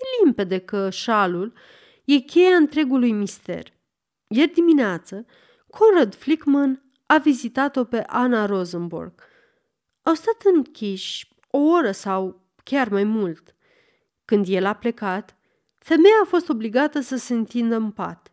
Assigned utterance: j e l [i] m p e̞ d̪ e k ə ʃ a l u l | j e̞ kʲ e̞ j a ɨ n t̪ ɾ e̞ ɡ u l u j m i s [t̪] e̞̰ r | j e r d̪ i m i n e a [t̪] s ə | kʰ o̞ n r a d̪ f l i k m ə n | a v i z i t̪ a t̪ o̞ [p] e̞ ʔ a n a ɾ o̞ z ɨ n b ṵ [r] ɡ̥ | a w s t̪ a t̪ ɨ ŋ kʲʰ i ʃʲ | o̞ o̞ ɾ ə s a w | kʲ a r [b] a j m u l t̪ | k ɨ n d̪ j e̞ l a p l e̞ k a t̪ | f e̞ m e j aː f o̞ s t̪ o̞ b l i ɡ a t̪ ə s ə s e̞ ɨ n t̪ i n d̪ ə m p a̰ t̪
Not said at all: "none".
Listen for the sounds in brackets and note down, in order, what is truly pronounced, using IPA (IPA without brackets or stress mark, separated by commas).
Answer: i, t̪, t̪, p, r, m